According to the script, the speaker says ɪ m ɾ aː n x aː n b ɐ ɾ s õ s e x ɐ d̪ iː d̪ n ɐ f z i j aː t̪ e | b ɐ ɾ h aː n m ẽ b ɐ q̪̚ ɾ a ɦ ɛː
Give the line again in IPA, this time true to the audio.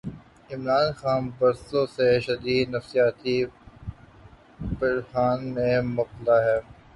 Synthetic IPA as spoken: ɪ m ɾ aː n x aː n b ɐ ɾ s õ s e ʃ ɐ d̪ iː d̪ n ɐ f s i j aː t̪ i | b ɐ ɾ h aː n m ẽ m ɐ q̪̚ l a ɦ ɛː